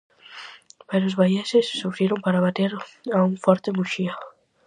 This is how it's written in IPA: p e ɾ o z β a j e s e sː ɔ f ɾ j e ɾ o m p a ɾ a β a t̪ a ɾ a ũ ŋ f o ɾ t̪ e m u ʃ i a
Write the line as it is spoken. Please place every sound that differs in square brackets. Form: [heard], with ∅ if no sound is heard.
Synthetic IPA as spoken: p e ɾ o z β a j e s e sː [u] f ɾ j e ɾ o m p a ɾ a β a t̪ [e] ɾ a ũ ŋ f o ɾ t̪ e m u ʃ i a